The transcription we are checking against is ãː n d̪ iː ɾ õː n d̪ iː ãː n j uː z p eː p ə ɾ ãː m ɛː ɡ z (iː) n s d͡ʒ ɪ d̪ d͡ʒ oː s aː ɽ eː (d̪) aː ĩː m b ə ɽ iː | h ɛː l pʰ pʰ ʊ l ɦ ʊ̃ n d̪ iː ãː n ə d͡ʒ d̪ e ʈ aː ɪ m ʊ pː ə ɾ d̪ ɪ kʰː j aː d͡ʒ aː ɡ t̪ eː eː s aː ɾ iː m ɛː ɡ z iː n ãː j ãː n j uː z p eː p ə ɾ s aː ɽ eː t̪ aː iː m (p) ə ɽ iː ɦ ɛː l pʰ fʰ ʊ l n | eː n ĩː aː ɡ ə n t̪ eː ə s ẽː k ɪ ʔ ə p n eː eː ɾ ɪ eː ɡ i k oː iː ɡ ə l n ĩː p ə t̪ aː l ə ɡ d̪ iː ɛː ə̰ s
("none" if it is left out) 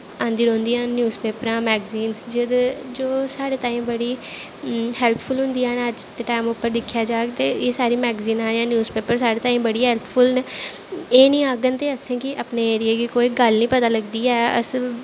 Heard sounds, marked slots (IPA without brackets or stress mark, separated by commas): iː, t̪, b